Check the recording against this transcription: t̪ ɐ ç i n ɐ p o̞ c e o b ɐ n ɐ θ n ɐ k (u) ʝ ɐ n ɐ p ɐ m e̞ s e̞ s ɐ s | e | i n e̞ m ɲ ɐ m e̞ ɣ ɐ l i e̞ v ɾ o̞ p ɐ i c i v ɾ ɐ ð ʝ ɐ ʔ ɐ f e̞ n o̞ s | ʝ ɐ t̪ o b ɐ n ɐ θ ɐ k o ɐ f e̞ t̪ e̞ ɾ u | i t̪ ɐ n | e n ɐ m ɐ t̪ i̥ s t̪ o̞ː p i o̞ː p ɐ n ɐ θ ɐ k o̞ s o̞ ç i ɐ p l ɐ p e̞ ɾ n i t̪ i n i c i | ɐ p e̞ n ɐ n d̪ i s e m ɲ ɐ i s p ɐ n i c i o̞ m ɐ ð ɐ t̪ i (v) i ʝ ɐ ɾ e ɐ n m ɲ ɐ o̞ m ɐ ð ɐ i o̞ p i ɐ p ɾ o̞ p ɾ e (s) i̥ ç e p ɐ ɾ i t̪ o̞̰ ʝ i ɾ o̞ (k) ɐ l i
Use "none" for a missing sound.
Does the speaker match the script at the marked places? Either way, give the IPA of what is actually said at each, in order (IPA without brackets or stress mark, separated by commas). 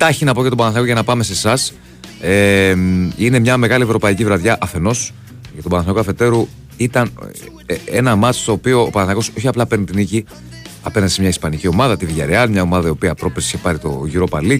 o, v, s, p